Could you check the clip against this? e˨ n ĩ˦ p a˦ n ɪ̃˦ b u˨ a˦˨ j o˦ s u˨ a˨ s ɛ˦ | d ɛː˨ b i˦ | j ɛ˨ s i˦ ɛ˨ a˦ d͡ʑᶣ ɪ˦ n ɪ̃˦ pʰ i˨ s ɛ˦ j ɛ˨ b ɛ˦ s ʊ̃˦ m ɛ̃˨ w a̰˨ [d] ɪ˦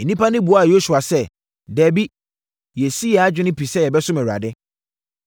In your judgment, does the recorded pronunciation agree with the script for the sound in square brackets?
yes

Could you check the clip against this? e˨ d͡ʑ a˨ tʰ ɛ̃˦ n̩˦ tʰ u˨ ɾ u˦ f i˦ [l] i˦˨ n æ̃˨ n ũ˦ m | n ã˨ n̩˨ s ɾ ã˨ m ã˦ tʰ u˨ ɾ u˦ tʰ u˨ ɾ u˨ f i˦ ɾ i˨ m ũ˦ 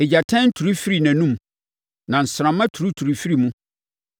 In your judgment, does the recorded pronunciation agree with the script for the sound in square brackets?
no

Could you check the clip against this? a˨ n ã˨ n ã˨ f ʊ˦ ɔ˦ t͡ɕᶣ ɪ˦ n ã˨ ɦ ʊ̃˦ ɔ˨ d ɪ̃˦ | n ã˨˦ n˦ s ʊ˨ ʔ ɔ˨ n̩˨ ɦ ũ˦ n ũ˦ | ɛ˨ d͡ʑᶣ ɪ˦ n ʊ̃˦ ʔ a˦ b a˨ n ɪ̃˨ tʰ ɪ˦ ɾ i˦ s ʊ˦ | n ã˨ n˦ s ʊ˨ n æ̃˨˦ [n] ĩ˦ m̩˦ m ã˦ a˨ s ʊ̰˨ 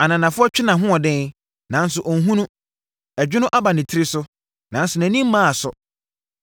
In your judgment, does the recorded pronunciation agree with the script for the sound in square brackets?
yes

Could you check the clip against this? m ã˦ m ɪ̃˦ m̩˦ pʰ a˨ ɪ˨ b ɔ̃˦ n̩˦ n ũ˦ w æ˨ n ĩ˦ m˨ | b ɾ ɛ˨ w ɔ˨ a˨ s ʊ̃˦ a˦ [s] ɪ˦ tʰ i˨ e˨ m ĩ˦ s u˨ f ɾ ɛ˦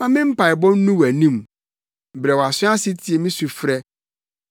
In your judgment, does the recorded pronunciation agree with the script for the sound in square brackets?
yes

